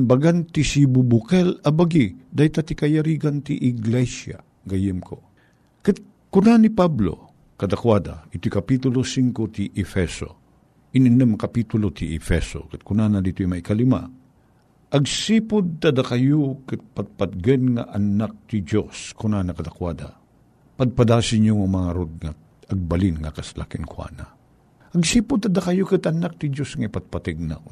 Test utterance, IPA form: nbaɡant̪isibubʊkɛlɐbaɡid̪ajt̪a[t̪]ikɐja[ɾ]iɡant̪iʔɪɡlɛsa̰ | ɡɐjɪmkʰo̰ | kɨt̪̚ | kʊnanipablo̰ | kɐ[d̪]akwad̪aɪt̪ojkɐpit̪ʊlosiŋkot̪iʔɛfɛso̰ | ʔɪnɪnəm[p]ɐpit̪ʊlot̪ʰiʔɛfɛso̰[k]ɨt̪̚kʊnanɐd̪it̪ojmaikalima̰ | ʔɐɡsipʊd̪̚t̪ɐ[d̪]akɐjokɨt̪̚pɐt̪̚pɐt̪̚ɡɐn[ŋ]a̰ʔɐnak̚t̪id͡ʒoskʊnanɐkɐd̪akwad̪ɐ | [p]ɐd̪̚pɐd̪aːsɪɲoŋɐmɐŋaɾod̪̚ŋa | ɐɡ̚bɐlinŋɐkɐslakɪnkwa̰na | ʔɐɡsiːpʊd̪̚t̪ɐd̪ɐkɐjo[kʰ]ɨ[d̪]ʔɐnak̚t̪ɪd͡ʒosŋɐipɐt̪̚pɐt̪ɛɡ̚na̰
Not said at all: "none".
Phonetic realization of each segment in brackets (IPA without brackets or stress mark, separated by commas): t̪, ɾ, d̪, k, k, d̪, ŋ, p, k, t̪